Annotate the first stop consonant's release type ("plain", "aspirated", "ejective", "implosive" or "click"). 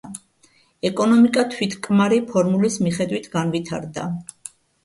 ejective